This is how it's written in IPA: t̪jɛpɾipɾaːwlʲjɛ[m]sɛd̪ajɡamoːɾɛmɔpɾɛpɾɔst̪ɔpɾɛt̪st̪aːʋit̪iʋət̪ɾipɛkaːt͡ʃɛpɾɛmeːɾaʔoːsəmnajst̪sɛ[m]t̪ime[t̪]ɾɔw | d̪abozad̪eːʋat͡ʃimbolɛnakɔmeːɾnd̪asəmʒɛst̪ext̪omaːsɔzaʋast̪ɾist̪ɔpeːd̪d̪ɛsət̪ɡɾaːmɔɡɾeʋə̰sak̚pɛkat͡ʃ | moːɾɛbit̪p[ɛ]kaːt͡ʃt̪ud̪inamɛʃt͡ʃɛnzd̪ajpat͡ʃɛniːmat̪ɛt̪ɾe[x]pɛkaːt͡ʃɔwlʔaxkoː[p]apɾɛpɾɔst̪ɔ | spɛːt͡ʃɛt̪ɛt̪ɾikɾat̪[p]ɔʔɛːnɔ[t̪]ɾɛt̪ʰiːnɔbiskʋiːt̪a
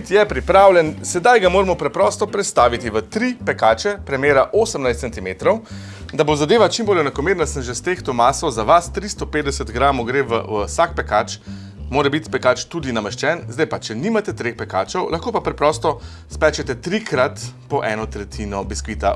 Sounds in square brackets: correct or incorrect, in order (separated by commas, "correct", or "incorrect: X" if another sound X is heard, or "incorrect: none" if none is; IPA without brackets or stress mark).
incorrect: n, incorrect: n, correct, correct, correct, correct, correct, correct